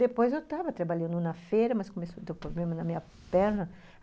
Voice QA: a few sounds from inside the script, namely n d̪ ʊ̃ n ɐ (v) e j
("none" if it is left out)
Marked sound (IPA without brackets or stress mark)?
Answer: f